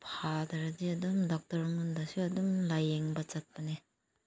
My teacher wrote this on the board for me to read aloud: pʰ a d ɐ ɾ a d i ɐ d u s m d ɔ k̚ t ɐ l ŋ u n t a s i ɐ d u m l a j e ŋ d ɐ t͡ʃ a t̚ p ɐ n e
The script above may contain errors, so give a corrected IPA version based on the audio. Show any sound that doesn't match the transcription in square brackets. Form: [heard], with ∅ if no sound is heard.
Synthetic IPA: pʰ a d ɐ ɾ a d i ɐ d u [∅] m d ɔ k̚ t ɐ [ɾ] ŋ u n [d] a s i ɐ d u m l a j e ŋ [b] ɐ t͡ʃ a t̚ p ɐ n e